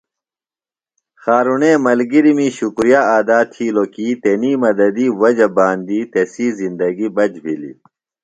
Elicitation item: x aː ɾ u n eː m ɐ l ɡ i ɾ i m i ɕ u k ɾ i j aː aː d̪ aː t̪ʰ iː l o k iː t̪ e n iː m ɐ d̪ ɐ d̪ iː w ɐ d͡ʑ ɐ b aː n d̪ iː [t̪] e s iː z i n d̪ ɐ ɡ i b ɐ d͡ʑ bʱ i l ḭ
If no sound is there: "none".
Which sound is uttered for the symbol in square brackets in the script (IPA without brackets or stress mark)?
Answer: t̪